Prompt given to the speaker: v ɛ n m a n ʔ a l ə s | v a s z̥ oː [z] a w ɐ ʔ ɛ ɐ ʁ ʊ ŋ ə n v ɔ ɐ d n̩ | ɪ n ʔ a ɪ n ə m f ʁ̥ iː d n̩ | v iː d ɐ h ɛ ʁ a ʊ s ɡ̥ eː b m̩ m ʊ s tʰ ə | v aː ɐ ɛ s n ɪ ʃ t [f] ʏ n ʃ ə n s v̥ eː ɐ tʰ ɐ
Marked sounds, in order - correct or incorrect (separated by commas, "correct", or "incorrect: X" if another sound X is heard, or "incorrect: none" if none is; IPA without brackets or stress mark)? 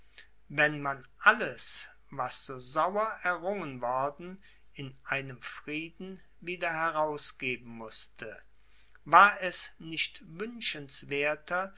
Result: correct, incorrect: v